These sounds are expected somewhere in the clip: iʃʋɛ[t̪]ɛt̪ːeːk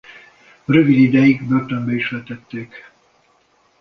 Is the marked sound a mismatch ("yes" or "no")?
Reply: no